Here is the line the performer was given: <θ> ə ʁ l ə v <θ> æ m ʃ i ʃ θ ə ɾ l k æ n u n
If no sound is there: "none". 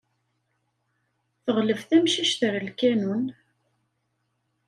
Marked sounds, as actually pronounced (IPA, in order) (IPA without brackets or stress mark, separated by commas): θ, θ